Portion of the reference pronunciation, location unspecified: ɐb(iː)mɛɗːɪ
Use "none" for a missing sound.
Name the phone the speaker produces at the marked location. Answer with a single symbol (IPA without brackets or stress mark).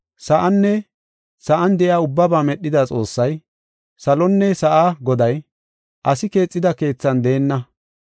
aː